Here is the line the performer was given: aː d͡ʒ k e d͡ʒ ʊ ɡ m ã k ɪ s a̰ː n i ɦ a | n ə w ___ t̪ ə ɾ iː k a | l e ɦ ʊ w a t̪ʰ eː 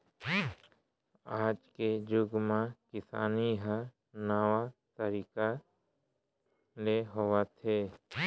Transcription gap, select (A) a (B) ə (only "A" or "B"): A